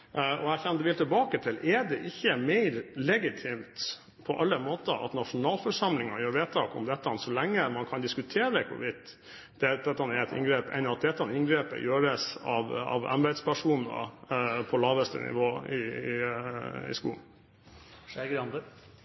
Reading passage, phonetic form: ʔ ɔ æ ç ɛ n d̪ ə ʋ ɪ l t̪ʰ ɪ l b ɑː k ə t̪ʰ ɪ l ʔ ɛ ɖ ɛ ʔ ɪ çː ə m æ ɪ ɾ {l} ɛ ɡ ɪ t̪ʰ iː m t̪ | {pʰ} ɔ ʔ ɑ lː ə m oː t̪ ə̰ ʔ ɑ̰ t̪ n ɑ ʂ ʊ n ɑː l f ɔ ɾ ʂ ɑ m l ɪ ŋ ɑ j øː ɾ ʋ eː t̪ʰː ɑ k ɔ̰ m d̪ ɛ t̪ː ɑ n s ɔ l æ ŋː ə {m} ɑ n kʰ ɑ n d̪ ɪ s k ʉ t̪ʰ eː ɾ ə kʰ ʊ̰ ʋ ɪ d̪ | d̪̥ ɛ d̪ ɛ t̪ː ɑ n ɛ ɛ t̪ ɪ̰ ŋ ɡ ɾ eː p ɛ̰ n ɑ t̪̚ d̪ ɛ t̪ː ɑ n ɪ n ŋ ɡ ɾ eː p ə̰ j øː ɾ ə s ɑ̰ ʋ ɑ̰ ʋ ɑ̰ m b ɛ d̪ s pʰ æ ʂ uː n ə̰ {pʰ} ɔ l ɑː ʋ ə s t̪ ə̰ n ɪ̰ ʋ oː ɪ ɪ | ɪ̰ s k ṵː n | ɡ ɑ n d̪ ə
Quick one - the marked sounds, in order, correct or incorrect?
correct, correct, correct, correct

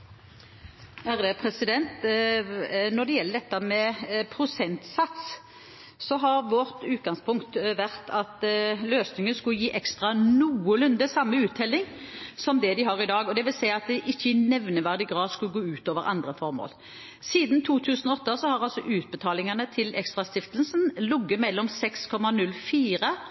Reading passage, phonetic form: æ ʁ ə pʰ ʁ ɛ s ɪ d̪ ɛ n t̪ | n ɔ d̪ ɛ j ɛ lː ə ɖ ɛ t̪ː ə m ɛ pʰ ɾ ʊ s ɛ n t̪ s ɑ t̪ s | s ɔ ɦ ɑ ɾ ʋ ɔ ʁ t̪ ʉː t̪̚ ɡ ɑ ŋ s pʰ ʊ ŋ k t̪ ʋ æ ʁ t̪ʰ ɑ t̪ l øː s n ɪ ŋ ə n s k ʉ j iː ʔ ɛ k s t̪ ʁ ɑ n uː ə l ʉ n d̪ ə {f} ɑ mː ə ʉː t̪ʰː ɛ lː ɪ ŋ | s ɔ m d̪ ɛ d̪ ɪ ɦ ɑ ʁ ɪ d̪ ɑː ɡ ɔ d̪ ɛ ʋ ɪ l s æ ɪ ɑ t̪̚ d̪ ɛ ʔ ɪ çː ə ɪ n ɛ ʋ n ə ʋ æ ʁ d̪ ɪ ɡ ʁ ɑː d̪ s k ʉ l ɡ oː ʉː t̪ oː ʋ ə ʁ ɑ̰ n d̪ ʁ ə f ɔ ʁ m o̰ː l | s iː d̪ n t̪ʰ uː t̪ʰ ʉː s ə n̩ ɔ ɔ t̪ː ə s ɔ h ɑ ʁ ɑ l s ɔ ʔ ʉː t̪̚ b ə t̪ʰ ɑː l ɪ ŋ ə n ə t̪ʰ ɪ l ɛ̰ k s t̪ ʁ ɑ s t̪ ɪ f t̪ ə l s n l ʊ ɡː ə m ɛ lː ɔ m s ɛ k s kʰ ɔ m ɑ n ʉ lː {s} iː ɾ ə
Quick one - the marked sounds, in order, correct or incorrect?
incorrect, incorrect

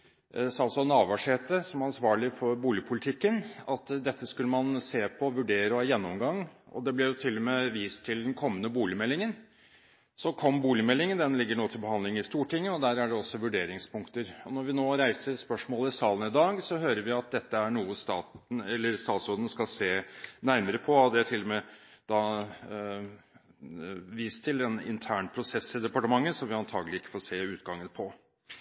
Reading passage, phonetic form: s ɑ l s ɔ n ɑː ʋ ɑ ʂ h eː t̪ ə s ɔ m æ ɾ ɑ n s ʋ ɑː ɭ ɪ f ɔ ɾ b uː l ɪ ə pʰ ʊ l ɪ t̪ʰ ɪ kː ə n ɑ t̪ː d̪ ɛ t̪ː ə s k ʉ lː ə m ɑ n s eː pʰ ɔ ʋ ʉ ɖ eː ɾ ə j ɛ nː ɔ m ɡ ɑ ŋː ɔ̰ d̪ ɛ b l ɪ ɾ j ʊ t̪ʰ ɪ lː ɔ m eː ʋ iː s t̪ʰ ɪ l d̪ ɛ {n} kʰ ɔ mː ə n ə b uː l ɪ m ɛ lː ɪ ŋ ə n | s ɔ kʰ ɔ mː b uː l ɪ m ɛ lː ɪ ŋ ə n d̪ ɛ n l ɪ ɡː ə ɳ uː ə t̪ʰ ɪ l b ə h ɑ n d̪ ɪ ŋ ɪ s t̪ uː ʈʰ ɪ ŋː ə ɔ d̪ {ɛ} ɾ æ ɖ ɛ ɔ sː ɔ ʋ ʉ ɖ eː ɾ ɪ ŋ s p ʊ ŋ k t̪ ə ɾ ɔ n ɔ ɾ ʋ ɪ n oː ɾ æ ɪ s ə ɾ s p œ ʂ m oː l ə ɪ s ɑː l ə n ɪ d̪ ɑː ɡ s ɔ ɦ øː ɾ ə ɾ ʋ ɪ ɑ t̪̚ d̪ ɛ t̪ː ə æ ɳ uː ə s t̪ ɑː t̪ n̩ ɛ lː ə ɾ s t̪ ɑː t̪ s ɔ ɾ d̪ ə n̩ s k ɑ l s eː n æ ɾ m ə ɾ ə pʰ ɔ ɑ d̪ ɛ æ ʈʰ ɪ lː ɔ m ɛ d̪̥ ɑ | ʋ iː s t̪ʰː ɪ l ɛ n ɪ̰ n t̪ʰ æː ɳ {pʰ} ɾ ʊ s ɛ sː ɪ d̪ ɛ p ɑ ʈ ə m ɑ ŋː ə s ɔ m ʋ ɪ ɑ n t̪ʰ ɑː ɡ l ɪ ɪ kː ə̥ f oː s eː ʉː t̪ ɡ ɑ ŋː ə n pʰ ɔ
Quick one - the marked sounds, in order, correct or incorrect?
correct, incorrect, correct

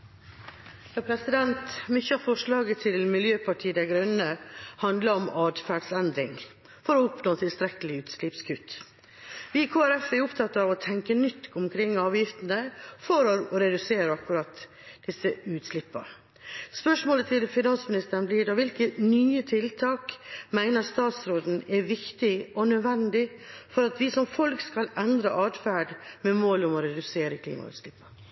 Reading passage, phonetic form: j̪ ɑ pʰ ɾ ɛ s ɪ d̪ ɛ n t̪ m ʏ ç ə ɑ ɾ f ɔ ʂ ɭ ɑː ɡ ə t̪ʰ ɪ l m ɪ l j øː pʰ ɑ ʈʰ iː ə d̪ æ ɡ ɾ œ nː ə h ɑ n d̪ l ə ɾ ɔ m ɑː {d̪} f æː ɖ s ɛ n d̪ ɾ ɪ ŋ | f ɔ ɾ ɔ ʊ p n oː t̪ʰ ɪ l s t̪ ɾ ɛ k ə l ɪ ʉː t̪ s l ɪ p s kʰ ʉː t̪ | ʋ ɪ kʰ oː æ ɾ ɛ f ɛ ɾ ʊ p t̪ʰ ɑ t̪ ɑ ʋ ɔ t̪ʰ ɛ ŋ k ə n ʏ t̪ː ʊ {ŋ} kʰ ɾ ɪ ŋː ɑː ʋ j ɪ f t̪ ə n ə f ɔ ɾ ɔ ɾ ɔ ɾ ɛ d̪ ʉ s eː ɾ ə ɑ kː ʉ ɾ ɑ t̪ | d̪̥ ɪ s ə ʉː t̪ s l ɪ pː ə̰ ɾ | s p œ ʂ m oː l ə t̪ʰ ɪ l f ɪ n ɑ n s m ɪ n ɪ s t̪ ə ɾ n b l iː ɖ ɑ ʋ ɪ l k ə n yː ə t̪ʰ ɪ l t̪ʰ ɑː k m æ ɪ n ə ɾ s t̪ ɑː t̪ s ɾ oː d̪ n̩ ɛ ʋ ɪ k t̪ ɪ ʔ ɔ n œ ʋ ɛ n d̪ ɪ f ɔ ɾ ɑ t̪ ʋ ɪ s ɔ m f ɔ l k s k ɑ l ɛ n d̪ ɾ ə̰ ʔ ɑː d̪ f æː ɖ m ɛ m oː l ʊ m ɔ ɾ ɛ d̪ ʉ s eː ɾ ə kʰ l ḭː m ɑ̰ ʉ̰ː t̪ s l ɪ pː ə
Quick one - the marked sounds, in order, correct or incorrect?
correct, incorrect

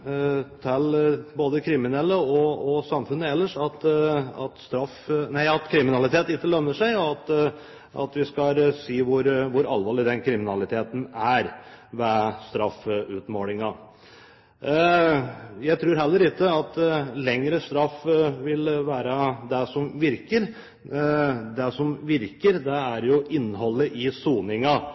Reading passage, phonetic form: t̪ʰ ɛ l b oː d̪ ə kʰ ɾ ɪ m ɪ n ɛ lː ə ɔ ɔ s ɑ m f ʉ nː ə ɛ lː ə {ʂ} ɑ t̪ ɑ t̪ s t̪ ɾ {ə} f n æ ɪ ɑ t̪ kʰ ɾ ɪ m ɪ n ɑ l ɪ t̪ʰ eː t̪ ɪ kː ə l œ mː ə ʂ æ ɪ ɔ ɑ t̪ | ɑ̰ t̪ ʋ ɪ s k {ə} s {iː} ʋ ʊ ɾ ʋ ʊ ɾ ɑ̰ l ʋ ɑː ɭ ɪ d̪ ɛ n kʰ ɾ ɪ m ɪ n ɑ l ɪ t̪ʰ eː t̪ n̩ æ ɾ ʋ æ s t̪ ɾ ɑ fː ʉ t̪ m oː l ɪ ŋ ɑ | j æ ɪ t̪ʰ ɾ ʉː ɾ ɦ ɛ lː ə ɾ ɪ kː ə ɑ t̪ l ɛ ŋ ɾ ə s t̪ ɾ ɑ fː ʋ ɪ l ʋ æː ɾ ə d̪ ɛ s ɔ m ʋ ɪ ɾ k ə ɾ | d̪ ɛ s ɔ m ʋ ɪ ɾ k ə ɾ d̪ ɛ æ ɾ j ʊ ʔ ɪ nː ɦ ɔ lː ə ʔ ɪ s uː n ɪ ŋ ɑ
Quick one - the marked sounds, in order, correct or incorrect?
correct, incorrect, incorrect, correct

